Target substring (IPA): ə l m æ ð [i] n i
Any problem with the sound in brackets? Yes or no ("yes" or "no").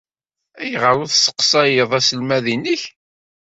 no